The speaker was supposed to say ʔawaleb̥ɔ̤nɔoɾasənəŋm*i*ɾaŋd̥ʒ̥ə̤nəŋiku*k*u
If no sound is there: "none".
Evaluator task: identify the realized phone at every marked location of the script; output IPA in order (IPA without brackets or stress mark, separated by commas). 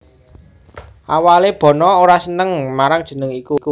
a, k